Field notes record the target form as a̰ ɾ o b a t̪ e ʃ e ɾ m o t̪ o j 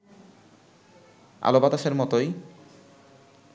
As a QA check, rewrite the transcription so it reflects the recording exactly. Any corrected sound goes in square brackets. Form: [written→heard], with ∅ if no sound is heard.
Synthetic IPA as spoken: a̰ [ɾ→l] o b a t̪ [e→a] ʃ e ɾ m [o→ɔ] t̪ o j